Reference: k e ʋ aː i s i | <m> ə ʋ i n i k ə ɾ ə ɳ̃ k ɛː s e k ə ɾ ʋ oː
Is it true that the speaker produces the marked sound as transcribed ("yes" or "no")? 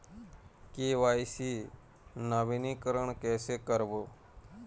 no